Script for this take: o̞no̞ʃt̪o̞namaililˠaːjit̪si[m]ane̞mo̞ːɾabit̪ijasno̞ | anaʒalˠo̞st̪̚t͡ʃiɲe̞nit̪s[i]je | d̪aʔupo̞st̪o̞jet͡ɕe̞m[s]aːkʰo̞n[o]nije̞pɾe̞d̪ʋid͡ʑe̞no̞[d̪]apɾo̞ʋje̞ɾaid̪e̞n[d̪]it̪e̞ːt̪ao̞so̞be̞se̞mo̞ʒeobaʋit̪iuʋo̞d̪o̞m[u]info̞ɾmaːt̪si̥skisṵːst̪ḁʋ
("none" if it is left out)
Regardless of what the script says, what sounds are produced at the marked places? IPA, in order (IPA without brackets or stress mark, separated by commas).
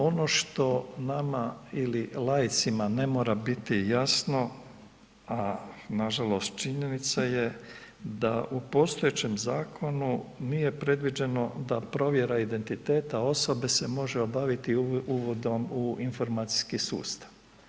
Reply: m, a, z, u, d̪, t̪, u